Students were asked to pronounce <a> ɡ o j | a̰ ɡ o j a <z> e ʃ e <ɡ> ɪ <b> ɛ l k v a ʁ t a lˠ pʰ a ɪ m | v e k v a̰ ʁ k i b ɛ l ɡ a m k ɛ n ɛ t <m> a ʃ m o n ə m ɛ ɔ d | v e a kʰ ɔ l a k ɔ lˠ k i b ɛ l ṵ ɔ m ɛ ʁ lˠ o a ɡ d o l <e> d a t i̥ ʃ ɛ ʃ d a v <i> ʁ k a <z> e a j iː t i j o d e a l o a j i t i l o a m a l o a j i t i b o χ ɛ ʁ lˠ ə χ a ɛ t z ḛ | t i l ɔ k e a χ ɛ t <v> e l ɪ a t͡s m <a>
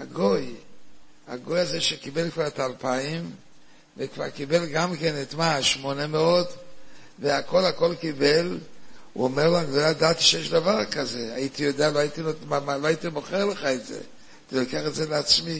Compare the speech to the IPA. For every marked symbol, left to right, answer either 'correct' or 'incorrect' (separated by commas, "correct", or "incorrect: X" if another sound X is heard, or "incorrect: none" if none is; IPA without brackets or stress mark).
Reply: correct, correct, incorrect: k, correct, correct, incorrect: a, incorrect: a, correct, incorrect: z, incorrect: i